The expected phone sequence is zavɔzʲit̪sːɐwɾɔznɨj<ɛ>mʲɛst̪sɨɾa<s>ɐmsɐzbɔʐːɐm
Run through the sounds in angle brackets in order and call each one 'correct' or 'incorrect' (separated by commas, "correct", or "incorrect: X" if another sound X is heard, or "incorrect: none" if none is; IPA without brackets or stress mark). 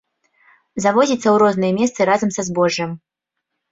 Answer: correct, incorrect: z